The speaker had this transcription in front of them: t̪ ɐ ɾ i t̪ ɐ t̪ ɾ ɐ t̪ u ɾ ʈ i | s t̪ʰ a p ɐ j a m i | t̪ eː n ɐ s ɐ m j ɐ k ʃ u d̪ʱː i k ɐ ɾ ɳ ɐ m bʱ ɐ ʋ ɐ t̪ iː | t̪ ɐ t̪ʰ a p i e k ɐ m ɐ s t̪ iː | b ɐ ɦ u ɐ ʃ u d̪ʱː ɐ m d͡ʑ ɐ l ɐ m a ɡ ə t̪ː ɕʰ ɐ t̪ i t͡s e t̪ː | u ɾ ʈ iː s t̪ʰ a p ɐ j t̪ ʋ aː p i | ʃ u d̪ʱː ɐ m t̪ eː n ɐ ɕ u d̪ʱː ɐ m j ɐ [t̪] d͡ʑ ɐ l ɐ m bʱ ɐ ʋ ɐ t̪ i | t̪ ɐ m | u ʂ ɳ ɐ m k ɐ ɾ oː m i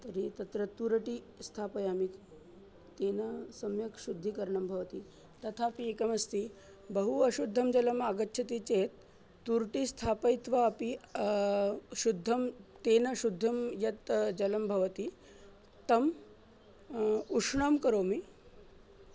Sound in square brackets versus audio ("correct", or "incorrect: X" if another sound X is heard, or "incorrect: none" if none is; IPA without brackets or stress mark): correct